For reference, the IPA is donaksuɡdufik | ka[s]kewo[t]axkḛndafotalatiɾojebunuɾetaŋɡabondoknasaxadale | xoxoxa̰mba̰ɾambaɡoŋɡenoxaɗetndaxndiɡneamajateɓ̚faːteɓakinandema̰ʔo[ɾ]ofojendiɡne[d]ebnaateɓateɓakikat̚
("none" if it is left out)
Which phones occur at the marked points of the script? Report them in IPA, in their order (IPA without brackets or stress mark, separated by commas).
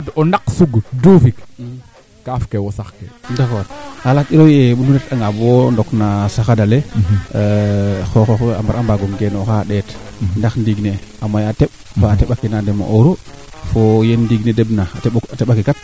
f, s, ɾ, d